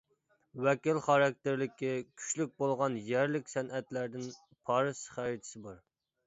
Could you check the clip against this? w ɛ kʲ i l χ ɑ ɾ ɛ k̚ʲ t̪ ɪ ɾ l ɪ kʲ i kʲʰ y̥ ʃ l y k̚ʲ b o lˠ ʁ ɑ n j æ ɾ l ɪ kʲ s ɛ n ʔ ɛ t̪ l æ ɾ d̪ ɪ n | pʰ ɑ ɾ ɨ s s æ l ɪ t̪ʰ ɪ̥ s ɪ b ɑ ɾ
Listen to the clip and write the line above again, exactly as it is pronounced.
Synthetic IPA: w ɛ kʲ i l χ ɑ ɾ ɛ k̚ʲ t̪ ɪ ɾ l ɪ kʲ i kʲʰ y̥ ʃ l y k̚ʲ b o lˠ ʁ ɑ n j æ ɾ l ɪ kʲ s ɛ n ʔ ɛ t̪ l æ ɾ d̪ ɪ n | pʰ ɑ ɾ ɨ s χ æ ɾ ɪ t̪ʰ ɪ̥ s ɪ b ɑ ɾ